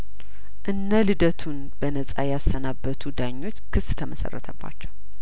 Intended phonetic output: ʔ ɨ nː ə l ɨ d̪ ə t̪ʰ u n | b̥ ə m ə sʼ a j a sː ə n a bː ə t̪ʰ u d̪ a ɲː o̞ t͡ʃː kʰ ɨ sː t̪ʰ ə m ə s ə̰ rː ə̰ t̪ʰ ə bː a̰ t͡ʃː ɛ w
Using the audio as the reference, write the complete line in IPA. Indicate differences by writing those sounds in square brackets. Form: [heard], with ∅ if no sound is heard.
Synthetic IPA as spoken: ʔ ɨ nː ə l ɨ d̪ ə t̪ʰ u n | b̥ ə [n] ə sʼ a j a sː ə n a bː ə t̪ʰ u d̪ a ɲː o̞ t͡ʃː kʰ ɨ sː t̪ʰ ə m ə s ə̰ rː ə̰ t̪ʰ ə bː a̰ t͡ʃː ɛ w